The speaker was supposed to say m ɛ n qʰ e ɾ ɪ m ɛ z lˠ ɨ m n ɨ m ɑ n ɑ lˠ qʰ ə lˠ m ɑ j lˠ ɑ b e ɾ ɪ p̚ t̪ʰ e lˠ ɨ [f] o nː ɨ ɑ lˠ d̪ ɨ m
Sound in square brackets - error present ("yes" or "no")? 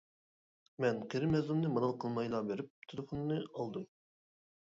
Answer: no